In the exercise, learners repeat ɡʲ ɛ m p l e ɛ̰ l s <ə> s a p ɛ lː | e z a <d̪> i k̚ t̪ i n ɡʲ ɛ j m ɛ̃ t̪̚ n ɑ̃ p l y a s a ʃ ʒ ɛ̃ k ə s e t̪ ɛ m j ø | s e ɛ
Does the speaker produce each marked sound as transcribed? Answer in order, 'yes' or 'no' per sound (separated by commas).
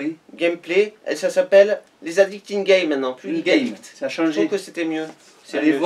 no, yes